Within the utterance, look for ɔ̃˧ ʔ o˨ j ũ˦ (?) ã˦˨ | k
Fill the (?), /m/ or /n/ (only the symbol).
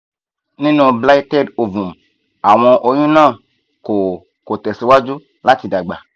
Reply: n